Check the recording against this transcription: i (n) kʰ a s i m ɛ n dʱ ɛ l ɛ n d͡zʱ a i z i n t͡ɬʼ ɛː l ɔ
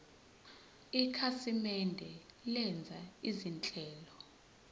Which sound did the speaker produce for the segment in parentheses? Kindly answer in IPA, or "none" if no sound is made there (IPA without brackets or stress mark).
none